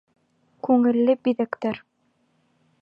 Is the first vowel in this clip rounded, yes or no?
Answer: yes